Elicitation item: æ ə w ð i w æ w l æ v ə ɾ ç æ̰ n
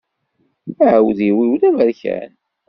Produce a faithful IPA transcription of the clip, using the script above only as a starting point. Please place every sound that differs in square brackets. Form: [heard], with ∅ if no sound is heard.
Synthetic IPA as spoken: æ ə w ð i w [i] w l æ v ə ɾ ç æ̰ n

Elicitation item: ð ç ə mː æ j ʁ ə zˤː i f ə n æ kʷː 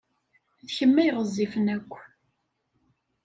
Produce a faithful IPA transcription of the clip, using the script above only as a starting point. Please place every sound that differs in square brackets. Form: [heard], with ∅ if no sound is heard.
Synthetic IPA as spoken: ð ç ə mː æ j ʁ ə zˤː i f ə n æ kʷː

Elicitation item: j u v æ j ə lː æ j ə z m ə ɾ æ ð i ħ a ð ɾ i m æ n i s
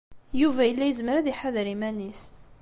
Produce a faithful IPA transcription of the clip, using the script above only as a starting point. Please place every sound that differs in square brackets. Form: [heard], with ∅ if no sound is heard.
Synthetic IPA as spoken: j u v æ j ə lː æ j ə z m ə ɾ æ ð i ħ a ð ɾ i m æ n i s

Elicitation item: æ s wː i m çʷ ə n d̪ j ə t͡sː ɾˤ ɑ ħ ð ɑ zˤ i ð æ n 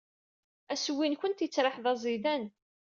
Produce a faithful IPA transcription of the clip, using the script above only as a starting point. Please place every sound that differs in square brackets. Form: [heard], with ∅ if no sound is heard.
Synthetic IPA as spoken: æ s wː i [n] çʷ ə n [t̪] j ə t͡sː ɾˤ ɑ ħ ð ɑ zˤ i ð æ n

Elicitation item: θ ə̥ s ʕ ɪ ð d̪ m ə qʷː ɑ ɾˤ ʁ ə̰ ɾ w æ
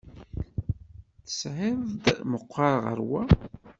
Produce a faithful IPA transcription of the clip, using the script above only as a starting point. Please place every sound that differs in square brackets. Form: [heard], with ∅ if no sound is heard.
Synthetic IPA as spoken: θ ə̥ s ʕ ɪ ð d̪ m ə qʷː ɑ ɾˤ ʁ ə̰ ɾ w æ

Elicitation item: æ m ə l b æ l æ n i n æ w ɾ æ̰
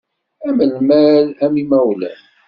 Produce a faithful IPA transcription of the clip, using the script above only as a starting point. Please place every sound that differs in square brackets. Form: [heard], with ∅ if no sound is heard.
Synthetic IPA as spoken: æ m ə l [m] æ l æ [m] i [m] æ w [l] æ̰

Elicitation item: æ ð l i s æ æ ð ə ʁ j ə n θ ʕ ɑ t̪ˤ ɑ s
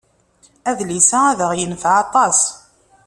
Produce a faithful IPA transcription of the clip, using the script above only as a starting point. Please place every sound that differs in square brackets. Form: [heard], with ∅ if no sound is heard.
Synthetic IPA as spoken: æ ð l i s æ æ ð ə ʁ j ə n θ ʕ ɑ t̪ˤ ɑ s

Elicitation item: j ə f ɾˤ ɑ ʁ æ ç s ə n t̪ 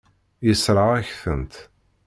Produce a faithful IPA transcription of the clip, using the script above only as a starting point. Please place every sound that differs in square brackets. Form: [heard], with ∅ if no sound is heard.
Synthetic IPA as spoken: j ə [s] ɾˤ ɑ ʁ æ ç [θ] ə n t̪

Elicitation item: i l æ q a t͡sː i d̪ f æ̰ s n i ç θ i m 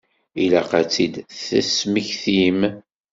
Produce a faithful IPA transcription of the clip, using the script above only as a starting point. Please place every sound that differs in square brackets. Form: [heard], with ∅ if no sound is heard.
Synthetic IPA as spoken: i l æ q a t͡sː i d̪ [θ] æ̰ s [m] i ç θ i m

